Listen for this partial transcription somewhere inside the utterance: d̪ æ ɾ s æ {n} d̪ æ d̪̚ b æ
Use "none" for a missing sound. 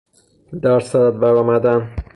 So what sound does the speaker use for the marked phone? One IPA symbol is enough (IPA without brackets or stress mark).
none